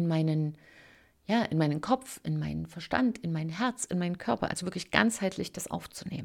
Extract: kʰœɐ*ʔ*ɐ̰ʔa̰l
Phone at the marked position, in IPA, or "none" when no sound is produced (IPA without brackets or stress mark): p